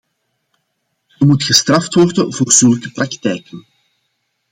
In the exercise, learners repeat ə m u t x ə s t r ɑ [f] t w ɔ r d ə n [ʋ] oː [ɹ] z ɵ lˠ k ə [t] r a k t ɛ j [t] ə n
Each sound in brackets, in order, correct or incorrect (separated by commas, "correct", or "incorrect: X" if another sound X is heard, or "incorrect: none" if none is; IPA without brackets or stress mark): correct, incorrect: v, incorrect: r, incorrect: p, incorrect: k